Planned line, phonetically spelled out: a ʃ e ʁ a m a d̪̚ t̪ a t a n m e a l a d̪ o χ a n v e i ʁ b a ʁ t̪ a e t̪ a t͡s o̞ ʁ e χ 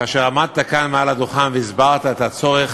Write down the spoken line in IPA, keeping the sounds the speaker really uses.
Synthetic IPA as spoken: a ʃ e ʁ a m a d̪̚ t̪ a k a n m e a l a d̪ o χ a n v e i z b a ʁ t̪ a e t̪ a t͡s o̞ ʁ e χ